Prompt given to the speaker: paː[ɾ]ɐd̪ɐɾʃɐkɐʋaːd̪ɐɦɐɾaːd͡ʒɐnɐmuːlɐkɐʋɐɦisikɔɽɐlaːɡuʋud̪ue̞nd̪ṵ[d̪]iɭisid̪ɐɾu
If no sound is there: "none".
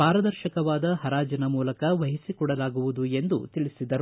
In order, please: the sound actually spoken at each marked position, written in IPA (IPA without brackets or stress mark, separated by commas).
ɾ, t̪